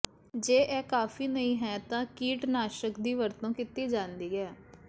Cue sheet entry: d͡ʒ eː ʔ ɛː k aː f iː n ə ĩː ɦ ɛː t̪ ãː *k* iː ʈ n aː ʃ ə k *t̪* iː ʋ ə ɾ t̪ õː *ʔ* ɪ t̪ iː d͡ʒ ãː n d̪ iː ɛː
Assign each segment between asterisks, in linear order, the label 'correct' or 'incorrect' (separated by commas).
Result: correct, incorrect, incorrect